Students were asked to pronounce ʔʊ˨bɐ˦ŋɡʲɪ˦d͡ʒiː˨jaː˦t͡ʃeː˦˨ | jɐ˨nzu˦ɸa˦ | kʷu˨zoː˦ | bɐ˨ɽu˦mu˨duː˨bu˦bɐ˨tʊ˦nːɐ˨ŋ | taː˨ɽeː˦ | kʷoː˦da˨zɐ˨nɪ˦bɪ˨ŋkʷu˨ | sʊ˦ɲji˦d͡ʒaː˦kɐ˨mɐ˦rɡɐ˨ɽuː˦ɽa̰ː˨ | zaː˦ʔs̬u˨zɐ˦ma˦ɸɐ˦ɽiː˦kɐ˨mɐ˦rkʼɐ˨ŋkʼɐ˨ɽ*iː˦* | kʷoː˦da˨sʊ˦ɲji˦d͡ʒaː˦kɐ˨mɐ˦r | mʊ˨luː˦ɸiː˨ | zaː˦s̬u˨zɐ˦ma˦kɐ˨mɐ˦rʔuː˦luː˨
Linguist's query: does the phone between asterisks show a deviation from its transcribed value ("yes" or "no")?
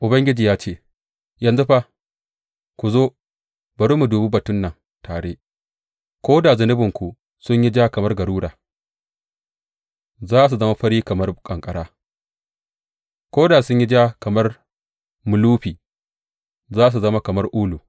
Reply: yes